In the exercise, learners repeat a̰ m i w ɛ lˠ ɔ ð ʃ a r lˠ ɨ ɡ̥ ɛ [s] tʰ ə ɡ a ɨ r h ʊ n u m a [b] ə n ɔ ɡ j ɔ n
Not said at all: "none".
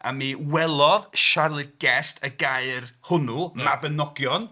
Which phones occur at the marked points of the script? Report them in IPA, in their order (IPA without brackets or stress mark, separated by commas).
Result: s, b